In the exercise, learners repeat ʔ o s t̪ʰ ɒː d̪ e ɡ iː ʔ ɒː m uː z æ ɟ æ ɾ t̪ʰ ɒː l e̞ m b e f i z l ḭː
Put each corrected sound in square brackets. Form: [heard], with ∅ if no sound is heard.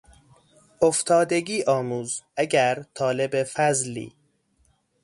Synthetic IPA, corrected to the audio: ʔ o [f] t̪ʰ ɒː d̪ e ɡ iː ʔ ɒː m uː z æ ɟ æ ɾ t̪ʰ ɒː l e̞ [∅] b e f [æ] z l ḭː

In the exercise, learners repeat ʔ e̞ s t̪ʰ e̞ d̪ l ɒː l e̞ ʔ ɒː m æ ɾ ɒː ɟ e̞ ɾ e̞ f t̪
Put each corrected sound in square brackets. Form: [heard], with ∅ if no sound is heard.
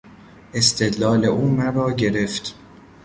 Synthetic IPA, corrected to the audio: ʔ e̞ s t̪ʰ e̞ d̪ l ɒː l e̞ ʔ [uː] m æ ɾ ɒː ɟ e̞ ɾ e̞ f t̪

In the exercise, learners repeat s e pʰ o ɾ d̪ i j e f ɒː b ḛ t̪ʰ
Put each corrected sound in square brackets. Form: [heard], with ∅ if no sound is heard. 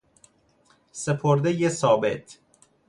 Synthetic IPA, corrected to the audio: s e pʰ o ɾ d̪ [e] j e [s] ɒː b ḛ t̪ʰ

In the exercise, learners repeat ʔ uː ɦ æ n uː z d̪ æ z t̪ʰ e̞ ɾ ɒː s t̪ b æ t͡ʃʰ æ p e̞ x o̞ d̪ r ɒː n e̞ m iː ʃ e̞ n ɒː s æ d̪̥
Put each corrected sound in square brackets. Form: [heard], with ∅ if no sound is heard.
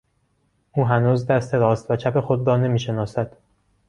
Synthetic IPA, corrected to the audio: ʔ uː ɦ æ n uː z d̪ æ [s] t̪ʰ e̞ ɾ ɒː s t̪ [v] æ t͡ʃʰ æ p e̞ x o̞ d̪ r ɒː n e̞ m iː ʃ e̞ n ɒː s æ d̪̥

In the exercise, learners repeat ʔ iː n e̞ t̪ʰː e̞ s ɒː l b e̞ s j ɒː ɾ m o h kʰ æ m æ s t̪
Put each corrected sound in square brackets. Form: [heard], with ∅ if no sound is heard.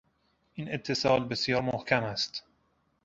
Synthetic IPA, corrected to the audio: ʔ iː n e̞ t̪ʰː e̞ s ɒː l b e̞ s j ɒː ɾ m o h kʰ æ m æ s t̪

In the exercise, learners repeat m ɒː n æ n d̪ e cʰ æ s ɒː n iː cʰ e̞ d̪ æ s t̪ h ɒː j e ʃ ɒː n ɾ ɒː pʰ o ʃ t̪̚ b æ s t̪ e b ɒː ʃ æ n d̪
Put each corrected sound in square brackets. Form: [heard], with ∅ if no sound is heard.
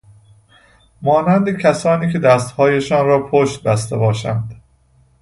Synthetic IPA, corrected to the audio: m ɒː n æ n d̪ e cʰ æ s ɒː n iː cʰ e̞ d̪ æ s t̪ h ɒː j e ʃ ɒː n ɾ ɒː pʰ o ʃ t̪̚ b æ s t̪ e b ɒː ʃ æ n d̪

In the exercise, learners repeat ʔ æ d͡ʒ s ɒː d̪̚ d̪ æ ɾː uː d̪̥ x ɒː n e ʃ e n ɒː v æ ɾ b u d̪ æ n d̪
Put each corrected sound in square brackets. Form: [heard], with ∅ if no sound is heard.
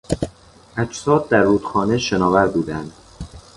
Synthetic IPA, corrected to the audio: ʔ æ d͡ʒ s ɒː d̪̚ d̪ æ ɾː uː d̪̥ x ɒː n e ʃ e n ɒː v æ ɾ b [uː] d̪ æ n d̪

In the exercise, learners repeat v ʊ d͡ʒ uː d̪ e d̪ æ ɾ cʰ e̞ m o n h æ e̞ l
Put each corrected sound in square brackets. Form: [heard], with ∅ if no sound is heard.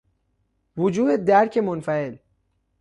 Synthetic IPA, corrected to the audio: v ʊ d͡ʒ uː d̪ e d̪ æ ɾ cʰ e̞ m o n [f] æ e̞ l

